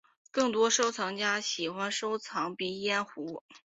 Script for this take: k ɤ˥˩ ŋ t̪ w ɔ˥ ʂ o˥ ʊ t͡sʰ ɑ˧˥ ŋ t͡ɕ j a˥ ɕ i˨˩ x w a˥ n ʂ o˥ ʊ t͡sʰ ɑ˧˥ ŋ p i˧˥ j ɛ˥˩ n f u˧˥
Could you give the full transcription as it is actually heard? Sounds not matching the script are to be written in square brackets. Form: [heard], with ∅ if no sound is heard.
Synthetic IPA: k ɤ˥˩ ŋ t̪ w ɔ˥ ʂ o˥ ʊ t͡sʰ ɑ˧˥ ŋ t͡ɕ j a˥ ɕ i˨˩ x w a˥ n ʂ o˥ ʊ t͡sʰ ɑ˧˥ ŋ p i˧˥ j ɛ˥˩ n [x] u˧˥